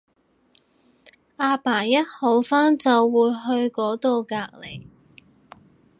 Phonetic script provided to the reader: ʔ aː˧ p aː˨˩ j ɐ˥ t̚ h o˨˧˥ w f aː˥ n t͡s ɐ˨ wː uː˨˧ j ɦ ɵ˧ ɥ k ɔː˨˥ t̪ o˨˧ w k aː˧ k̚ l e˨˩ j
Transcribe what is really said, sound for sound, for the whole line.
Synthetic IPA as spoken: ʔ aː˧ p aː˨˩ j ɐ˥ t̚ h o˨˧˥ w f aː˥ n t͡s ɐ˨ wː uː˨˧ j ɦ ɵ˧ ɥ k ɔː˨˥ t̪ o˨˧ w k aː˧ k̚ l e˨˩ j